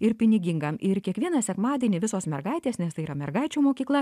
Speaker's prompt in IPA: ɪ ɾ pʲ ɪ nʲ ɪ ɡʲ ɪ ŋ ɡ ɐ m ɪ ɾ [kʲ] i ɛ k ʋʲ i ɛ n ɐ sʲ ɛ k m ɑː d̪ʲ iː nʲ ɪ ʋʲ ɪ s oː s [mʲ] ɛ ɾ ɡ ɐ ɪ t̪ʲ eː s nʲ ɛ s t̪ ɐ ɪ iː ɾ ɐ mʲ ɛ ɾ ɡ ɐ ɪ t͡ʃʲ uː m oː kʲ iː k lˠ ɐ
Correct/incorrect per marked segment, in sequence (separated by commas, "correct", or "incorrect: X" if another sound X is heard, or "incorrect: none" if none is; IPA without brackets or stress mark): correct, correct